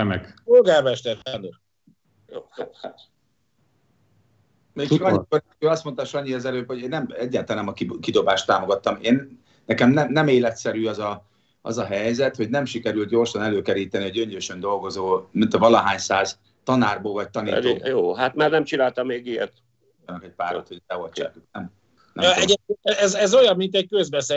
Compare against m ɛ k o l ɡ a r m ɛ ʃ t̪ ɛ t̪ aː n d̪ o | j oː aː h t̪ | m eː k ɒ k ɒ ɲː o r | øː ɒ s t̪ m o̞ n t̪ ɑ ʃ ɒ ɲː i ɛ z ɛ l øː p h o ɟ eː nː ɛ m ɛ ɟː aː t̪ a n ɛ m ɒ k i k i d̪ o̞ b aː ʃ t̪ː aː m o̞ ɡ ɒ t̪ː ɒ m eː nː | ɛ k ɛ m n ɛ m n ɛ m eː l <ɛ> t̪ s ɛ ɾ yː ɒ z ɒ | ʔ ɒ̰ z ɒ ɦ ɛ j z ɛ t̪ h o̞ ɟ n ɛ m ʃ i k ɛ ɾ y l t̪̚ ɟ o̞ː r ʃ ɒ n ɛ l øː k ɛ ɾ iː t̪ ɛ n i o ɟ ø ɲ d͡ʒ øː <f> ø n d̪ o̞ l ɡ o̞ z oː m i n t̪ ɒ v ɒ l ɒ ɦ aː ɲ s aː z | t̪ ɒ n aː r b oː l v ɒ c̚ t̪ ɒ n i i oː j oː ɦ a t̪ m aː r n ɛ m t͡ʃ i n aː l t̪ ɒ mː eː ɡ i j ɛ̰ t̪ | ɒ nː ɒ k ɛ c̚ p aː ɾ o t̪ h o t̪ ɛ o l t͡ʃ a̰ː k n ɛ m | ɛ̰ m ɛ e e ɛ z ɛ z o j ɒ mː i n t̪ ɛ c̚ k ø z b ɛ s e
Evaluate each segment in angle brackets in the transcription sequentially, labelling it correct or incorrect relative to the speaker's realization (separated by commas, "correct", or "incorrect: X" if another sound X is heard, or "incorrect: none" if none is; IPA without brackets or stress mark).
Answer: correct, incorrect: ʃ